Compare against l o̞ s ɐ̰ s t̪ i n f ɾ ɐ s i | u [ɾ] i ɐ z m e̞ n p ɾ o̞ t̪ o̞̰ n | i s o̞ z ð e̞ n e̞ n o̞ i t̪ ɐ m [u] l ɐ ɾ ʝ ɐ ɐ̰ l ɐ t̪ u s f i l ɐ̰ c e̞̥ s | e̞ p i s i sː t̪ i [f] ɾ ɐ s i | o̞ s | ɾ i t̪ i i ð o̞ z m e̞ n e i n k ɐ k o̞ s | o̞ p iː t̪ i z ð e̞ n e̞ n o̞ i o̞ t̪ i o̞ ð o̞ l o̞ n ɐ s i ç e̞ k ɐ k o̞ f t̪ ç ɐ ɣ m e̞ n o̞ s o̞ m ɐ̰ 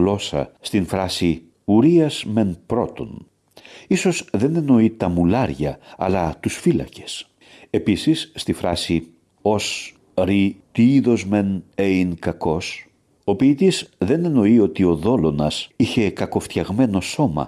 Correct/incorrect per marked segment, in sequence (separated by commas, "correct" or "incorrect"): correct, correct, correct